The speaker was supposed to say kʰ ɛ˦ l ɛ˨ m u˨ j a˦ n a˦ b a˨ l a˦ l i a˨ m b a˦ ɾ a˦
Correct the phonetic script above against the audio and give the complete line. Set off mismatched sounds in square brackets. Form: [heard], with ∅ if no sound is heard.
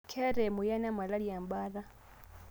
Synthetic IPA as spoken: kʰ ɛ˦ [ɾ] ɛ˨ m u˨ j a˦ n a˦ [m] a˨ l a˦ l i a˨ m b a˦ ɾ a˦